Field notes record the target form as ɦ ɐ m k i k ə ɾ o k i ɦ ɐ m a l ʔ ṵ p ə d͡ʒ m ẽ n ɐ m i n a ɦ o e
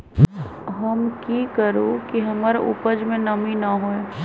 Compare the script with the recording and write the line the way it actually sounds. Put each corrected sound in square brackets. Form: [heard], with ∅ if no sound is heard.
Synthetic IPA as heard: ɦ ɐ m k i k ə ɾ o k i ɦ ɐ m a [ɾ] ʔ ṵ p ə d͡ʒ m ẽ n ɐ m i n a ɦ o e